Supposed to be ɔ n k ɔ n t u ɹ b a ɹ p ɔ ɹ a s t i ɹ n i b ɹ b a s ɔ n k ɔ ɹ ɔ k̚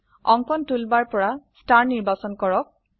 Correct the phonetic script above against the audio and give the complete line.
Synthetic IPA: ɔ ŋ k ɔ n t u l b a ɹ p ɔ ɹ a s t a ɹ n i ɹ b a s ɔ n k ɔ ɹ ɔ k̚